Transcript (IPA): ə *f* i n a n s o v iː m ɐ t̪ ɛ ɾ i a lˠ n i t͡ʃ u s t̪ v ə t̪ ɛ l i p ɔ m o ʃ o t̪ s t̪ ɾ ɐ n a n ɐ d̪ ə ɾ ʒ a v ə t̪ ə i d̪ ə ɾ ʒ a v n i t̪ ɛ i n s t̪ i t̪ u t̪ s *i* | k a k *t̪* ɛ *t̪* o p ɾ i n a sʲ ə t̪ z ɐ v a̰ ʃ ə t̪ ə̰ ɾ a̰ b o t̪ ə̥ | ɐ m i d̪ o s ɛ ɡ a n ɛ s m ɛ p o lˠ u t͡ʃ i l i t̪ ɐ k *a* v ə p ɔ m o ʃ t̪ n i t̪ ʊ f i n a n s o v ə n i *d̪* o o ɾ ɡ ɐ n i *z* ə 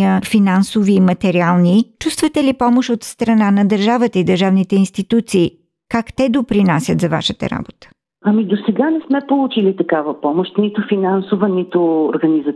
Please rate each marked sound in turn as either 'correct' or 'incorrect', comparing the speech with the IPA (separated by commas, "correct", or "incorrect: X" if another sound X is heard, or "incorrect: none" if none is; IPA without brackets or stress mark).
correct, incorrect: iː, correct, incorrect: d̪, correct, incorrect: t̪, correct